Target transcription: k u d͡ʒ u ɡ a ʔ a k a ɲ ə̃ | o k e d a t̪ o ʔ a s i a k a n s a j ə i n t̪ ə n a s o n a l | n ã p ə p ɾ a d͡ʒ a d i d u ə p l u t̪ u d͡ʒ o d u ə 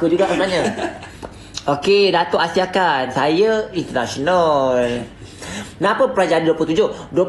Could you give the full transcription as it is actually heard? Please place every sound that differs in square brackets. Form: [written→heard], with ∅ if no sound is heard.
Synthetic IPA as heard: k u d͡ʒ u ɡ a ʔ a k a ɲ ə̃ | o k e d a t̪ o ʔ a s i a k a n s a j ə i n t̪ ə n a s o n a l | n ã p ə p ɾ a d͡ʒ a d i d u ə p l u t̪ u d͡ʒ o d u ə